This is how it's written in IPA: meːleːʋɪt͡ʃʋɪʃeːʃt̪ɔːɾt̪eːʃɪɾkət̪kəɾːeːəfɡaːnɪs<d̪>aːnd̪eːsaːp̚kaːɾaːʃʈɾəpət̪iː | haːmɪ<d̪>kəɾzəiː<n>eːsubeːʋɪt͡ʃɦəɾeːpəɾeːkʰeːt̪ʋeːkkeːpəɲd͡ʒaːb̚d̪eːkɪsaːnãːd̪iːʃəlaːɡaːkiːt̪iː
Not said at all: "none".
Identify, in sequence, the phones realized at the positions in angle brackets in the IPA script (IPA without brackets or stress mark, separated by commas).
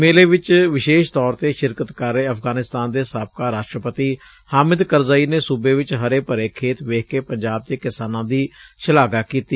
t̪, d̪, n